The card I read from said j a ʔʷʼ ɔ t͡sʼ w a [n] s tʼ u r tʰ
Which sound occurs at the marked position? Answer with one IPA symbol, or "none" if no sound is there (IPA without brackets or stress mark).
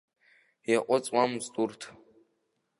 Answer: m